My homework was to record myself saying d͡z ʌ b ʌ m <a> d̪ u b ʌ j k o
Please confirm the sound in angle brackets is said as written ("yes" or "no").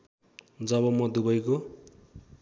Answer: no